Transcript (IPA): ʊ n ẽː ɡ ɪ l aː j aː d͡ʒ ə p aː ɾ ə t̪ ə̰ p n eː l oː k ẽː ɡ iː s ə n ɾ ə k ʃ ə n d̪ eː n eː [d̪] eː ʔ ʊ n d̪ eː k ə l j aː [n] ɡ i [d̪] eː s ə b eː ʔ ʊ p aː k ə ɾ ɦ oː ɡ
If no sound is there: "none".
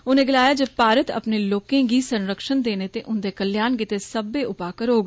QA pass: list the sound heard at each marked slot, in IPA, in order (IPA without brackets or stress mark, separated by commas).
t̪, n, t̪